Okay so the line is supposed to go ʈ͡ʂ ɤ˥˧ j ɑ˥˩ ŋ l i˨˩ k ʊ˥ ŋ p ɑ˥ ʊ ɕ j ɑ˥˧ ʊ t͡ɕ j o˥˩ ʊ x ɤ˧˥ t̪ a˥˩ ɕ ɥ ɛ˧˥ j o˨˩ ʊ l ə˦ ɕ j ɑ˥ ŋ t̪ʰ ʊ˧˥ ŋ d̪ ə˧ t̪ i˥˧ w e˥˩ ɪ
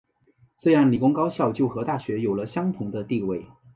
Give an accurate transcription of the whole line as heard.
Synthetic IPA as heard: ʈ͡ʂ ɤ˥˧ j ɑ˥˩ ŋ l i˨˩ k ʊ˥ ŋ k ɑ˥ ʊ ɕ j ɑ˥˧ ʊ t͡ɕ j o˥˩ ʊ x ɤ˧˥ t̪ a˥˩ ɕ ɥ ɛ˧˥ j o˨˩ ʊ l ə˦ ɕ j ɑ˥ ŋ t̪ʰ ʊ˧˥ ŋ d̪ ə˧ t̪ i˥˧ w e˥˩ ɪ